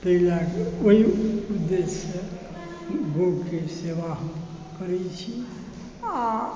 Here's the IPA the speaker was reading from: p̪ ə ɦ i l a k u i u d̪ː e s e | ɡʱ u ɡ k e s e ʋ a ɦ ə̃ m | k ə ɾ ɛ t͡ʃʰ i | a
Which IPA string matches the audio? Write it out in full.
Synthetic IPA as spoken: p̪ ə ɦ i l a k o i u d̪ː e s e | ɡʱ o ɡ k e s e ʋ a ɦ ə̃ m | k ə ɾ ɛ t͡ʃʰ i | a

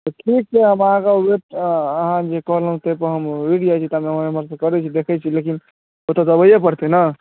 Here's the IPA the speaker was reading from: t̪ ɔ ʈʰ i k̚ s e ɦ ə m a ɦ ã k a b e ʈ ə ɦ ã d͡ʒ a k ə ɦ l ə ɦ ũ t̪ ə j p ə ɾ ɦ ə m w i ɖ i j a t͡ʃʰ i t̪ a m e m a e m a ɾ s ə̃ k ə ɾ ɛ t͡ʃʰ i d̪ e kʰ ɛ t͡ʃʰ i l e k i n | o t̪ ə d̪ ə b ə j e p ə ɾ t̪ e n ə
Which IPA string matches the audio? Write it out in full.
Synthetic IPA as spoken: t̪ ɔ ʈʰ i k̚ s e ɦ ə m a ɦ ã k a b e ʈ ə ɦ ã d͡ʒ e k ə ɦ l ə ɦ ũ t̪ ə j p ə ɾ ɦ ə m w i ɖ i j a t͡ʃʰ i t̪ a m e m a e m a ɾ s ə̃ k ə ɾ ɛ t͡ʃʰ i d̪ e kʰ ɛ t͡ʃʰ i l e k i n | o t̪ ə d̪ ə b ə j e p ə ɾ t̪ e n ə

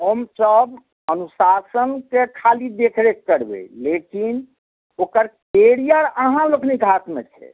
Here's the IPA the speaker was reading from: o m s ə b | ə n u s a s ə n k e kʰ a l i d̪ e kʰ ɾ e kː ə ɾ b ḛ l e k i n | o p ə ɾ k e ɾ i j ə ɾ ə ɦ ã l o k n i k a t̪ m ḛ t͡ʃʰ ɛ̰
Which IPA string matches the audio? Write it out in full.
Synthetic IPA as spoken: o m s ə b | ə n u s a s ə n k e kʰ a l i d̪ e kʰ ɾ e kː ə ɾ b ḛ l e k i n | o k ə ɾ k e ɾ i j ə ɾ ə ɦ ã l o k n i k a t̪ m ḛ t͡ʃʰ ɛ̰

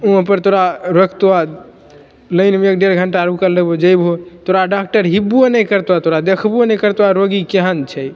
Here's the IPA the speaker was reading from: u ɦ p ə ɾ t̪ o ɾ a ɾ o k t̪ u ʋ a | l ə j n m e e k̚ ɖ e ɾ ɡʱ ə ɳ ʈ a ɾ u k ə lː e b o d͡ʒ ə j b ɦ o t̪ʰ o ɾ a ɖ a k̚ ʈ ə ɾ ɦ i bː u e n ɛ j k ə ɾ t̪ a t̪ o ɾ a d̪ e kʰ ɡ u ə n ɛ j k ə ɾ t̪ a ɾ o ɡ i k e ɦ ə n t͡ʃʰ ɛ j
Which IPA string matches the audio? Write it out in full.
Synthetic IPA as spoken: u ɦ p ə ɾ t̪ o ɾ a ɾ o k t̪ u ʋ a | l ə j n m e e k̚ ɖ e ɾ ɡʱ ə ɳ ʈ a ɾ u k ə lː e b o d͡ʒ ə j b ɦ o t̪ o ɾ a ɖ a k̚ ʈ ə ɾ ɦ i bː u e n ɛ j k ə ɾ t̪ a t̪ o ɾ a d̪ e kʰ b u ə n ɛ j k ə ɾ t̪ a ɾ o ɡ i k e ɦ ə n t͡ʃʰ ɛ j

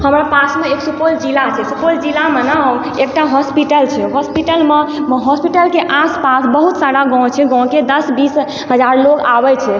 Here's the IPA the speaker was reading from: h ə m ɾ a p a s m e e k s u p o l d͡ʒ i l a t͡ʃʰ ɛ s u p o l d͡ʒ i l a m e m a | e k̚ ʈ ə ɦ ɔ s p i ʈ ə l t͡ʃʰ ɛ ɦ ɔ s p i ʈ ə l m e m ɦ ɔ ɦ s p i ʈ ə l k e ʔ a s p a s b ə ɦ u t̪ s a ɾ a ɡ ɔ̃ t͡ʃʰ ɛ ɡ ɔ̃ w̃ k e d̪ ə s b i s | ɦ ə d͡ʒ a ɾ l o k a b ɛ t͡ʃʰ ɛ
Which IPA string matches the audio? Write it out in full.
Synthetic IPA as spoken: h ə m ɾ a p a s m e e k s u p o l d͡ʒ i l a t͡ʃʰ ɛ s u p o l d͡ʒ i l a m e n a | e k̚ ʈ a ɦ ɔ s p i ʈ ə l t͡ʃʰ ɛ ɦ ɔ s p i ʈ ə l m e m ɦ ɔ s p i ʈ ə l k e ʔ a s p a s b ə ɦ u t̪ s a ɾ a ɡ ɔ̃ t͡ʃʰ ɛ ɡ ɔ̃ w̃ k e d̪ ə s b i s | ɦ ə d͡ʒ a ɾ l o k a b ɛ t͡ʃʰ ɛ

